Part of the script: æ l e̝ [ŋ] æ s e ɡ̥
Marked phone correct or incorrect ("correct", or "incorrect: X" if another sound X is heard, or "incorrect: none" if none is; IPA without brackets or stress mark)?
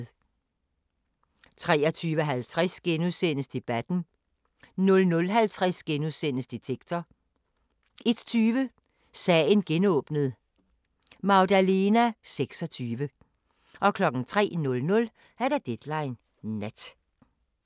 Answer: incorrect: n